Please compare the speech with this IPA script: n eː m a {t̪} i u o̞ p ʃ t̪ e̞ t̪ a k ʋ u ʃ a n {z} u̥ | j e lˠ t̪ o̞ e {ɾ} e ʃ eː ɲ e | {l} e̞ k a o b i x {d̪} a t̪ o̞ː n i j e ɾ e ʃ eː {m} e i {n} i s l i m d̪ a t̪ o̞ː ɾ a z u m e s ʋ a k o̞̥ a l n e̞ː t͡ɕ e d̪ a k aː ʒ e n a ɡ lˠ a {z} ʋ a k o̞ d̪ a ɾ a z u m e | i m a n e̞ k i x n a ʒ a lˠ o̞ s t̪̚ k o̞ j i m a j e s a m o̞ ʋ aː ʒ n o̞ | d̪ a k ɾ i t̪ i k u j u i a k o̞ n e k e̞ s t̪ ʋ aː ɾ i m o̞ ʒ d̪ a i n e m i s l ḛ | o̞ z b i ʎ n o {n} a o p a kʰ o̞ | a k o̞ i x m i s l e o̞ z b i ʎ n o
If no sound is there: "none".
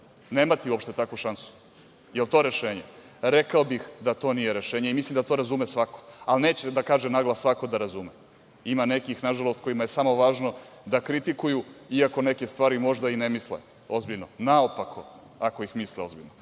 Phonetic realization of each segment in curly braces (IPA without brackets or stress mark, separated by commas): t̪, s, ɾ, ɾ, d̪, ɲ, m, s, n